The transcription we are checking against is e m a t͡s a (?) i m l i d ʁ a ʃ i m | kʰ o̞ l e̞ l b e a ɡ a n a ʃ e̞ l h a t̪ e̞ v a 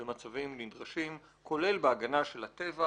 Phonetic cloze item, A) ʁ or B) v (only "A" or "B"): B